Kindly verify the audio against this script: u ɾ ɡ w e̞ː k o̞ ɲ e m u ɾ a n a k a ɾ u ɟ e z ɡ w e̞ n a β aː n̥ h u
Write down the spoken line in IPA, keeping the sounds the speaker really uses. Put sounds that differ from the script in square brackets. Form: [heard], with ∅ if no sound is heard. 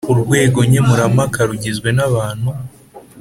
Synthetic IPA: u ɾ ɡ w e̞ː [ɡ] o̞ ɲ e m u ɾ a [m] a k a ɾ u ɟ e z ɡ w e̞ n a β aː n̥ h u